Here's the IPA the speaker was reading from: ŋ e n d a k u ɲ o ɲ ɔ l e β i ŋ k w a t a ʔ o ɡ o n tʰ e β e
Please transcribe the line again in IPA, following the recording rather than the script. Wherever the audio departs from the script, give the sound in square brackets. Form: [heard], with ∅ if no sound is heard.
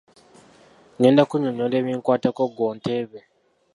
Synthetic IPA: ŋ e n d a k u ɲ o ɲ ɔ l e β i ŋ k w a t a [k] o ɡ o n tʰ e β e